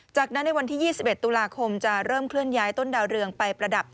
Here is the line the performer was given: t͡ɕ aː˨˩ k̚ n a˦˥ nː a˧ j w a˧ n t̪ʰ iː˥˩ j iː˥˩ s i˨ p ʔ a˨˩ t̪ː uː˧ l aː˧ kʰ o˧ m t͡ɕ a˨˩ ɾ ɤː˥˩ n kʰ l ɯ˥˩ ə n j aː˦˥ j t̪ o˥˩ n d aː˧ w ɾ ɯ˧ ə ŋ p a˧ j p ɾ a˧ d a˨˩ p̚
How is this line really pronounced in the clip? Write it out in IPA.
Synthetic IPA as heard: t͡ɕ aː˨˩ k̚ n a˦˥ nː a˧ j w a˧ n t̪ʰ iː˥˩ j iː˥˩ s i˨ p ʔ e˨˩ t̪ː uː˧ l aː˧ kʰ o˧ m t͡ɕ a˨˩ ɾ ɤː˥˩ m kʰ l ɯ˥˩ ə n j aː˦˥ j t̪ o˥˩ n d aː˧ w ɾ ɯ˧ ə ŋ p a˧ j p ɾ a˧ d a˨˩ p̚